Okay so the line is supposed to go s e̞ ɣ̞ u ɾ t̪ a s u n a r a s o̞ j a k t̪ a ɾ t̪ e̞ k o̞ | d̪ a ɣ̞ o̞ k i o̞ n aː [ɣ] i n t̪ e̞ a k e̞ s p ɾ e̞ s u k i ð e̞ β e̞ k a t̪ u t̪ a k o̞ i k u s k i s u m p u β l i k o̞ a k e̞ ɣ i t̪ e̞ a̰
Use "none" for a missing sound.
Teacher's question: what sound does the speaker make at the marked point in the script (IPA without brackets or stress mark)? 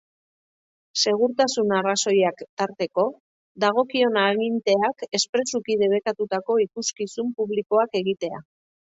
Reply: ɣ